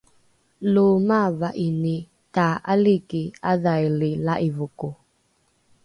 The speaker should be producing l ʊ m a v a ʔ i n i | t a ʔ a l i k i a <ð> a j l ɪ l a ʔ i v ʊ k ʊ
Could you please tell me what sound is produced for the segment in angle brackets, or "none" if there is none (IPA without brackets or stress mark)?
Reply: ð